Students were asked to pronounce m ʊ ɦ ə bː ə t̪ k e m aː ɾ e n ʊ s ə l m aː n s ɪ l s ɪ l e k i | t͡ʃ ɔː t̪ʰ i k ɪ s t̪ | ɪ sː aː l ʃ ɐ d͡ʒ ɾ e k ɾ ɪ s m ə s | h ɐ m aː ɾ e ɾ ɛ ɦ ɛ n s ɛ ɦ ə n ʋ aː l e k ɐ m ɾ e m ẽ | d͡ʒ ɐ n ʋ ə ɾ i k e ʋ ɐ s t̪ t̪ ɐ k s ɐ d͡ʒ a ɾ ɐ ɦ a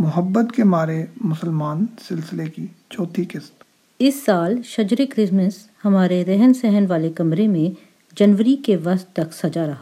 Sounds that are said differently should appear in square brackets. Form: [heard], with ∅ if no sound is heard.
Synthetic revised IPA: m ʊ ɦ ə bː ə t̪ k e m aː ɾ e [m] ʊ s ə l m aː n s ɪ l s ɪ l e k i | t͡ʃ ɔː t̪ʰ i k ɪ s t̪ | ɪ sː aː l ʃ ɐ d͡ʒ ɾ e k ɾ ɪ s m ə s | h ɐ m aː ɾ e ɾ ɛ ɦ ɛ n s ɛ ɦ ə n ʋ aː l e k ɐ m ɾ e m ẽ | d͡ʒ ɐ n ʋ ə ɾ i k e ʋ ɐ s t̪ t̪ ɐ k s ɐ d͡ʒ a ɾ ɐ ɦ a